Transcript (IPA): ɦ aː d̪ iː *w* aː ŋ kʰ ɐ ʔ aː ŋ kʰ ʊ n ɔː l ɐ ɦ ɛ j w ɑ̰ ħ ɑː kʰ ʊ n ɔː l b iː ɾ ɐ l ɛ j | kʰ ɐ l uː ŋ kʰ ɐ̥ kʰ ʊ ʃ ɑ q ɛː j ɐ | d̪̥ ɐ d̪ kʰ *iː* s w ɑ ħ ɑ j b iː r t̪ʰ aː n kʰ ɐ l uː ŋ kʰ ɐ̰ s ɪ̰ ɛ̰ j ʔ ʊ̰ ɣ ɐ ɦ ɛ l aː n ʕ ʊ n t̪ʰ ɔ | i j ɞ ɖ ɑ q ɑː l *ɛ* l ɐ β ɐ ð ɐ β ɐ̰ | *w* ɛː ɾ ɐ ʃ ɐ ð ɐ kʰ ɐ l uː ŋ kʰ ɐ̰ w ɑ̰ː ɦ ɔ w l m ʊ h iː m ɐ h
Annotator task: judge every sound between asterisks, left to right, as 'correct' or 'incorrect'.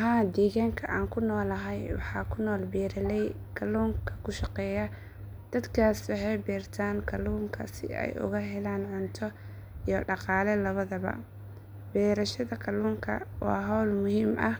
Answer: incorrect: ɣ, incorrect: aː, correct, incorrect: b

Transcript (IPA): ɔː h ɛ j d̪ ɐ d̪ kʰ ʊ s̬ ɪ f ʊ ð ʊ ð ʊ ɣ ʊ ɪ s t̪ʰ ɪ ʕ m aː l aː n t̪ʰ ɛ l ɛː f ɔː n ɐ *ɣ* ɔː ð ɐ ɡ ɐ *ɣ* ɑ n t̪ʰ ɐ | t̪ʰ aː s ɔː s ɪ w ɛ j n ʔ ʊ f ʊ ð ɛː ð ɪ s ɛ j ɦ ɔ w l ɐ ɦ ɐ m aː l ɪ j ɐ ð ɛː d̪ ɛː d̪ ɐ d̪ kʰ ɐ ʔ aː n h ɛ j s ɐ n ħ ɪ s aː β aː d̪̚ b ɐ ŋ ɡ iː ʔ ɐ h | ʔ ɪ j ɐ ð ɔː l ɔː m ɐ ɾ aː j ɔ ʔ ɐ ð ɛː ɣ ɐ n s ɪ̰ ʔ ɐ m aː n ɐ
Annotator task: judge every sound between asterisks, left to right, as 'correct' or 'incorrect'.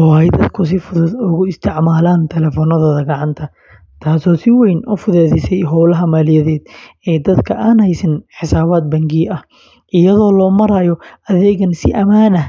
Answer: incorrect: ð, incorrect: ʕ

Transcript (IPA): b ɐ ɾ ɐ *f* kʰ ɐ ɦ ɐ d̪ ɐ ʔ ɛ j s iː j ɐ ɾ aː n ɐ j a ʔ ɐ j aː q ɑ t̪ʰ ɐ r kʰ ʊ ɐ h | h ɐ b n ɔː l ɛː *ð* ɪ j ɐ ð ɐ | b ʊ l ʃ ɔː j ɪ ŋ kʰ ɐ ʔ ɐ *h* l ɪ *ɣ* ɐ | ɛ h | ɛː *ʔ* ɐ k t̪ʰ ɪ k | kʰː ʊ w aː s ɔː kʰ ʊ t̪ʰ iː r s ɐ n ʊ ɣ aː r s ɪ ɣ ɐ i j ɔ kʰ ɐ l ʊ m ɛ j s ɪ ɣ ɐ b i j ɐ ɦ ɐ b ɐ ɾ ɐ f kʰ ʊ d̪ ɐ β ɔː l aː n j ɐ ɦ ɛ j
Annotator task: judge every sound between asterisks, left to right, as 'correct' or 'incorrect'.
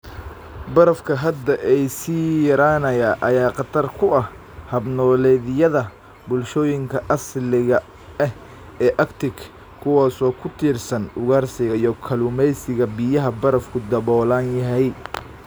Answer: correct, correct, incorrect: s, correct, correct

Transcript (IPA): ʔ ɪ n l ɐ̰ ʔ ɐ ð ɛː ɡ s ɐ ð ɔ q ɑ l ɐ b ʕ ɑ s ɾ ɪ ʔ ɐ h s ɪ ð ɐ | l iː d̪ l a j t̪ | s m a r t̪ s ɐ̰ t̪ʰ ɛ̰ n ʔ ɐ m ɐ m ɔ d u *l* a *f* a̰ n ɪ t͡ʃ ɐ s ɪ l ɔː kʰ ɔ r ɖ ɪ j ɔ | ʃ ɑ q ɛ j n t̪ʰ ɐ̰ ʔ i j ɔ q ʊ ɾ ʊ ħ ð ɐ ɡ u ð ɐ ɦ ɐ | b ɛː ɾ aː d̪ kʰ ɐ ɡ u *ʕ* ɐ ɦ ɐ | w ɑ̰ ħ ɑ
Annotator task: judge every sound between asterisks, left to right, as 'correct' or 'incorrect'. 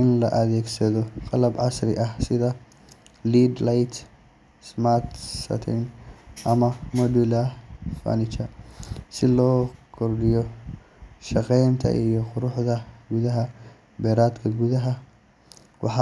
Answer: correct, correct, incorrect: ð

